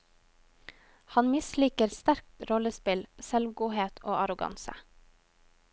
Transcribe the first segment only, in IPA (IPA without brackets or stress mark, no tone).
h